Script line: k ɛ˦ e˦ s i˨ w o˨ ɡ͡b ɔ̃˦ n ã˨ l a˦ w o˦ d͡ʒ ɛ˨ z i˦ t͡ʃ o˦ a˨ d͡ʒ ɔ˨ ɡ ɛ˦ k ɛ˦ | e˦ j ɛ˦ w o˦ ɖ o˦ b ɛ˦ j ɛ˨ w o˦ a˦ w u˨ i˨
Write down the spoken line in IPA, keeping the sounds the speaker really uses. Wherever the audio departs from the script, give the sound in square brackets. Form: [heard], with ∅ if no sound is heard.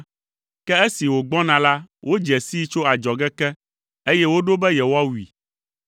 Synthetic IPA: k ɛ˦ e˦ s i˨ w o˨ ɡ͡b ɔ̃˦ n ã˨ l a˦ w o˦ d͡ʒ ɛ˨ [s] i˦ t͡ʃ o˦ a˨ d͡ʒ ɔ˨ ɡ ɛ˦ k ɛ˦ | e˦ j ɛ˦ w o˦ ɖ o˦ b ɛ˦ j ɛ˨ w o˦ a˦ w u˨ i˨